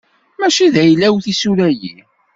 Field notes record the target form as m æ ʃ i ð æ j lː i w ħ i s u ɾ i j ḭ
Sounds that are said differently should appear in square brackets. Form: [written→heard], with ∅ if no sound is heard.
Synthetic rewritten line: m æ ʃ i ð æ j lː [i→æ] w [ħ→θ] i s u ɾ [i→æ] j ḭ